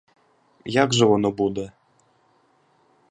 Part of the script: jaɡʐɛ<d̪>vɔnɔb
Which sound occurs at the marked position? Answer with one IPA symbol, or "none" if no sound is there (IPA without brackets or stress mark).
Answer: none